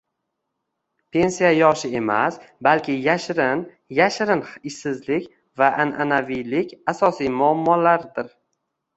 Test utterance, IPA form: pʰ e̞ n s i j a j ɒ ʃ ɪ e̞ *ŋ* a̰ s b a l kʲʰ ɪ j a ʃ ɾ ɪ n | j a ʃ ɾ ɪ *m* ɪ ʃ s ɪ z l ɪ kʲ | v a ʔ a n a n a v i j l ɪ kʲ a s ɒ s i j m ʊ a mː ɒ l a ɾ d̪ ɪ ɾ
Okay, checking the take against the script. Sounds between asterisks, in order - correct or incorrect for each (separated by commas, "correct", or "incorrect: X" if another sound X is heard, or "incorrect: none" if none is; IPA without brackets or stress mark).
incorrect: m, incorrect: n